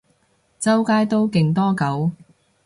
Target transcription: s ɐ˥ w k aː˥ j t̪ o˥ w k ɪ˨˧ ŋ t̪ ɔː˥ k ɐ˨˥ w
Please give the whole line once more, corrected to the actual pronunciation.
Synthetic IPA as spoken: t͡s ɐ˥ w k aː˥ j t̪ o˥ w k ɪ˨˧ ŋ t̪ ɔː˥ k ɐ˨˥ w